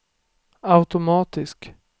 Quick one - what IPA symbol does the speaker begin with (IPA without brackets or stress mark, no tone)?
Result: a